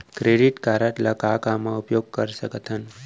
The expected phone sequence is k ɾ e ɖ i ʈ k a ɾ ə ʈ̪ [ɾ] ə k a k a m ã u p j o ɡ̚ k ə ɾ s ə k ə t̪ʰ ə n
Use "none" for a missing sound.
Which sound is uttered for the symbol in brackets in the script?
l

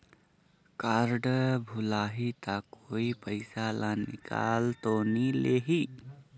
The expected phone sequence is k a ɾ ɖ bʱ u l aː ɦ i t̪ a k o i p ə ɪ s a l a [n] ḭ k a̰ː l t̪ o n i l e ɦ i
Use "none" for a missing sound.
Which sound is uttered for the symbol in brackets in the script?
n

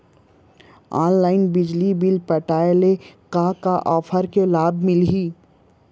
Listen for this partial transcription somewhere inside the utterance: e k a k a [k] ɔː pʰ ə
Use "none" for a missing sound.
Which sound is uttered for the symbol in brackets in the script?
ʔ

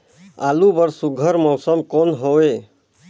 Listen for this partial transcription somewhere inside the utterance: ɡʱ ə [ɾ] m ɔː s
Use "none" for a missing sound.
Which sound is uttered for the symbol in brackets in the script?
ɾ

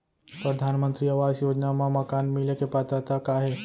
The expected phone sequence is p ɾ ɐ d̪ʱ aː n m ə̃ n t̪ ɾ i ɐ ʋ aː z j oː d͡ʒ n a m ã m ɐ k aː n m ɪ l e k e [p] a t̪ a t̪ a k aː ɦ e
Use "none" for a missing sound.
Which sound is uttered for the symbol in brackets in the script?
p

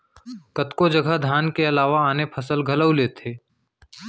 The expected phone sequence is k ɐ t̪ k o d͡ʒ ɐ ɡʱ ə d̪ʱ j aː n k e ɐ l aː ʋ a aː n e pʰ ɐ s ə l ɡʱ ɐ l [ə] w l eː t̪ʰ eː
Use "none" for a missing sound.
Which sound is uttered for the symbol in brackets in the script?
ə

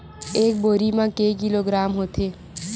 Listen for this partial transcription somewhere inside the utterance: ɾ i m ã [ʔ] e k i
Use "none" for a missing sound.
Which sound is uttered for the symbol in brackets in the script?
k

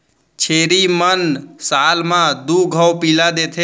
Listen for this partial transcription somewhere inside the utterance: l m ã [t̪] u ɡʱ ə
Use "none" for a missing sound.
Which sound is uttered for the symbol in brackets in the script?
d̪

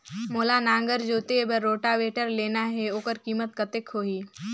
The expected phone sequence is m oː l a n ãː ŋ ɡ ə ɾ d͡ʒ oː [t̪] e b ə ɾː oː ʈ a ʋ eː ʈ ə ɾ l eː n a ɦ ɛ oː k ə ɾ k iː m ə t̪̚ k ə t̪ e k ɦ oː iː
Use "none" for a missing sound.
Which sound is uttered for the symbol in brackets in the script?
t̪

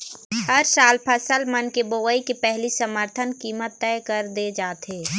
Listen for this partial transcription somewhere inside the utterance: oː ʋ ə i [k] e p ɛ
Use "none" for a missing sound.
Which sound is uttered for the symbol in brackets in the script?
k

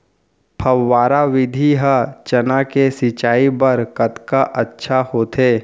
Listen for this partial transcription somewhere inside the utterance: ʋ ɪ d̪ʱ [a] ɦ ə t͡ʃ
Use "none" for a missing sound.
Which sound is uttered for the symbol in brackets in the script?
i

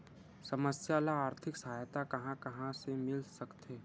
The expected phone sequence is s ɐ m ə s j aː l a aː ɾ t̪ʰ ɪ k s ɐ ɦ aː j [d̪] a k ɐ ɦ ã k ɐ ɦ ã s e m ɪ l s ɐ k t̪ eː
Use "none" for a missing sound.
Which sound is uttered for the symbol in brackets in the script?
t̪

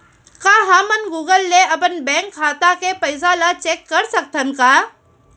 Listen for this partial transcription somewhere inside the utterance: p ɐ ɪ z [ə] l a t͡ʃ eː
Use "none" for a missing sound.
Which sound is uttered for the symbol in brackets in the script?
a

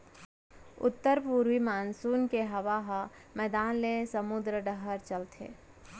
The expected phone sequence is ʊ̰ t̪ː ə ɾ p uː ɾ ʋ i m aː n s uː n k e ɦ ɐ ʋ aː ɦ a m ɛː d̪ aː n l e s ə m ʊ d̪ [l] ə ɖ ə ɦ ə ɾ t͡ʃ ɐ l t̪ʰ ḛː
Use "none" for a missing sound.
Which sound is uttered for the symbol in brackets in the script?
ɾ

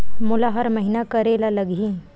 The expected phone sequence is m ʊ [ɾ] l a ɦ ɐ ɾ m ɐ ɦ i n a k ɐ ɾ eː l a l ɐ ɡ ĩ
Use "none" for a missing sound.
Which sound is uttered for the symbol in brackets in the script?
none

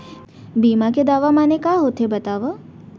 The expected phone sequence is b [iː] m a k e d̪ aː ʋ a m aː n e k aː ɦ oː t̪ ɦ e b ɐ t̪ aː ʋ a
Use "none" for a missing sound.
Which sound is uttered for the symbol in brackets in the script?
iː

